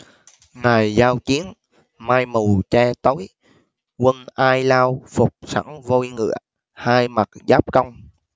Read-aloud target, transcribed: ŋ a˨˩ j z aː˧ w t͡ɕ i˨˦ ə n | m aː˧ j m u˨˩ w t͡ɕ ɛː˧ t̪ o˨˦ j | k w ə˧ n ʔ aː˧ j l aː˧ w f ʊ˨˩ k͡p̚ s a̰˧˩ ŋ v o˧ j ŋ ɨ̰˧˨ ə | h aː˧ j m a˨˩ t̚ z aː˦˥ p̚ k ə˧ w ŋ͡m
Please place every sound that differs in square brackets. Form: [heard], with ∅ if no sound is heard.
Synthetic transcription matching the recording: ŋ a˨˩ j z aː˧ w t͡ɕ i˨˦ ə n | m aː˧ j m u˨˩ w t͡ɕ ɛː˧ t̪ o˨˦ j | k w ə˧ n ʔ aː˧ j l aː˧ w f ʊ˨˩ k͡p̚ s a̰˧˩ ŋ v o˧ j ŋ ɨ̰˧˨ ə | h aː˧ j m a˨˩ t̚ z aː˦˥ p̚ k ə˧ w ŋ͡m